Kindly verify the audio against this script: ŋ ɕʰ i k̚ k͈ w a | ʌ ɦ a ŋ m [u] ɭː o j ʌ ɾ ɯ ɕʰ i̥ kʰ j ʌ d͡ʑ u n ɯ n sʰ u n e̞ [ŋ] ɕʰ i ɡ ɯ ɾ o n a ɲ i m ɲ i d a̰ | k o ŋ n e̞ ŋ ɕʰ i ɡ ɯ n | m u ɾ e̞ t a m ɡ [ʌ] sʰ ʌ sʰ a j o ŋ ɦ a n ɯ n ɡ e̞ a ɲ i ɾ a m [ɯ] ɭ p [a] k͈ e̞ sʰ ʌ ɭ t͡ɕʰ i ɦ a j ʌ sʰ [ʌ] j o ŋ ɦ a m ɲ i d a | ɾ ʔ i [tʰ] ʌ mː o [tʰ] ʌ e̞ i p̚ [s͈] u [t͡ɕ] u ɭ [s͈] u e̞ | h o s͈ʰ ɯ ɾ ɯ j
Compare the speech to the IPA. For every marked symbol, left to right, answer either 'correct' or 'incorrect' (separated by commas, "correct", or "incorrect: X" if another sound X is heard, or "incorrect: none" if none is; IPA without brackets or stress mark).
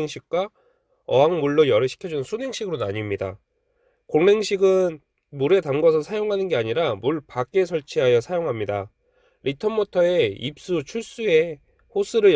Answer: correct, correct, correct, incorrect: u, correct, incorrect: a, correct, correct, correct, incorrect: t͡ɕʰ, correct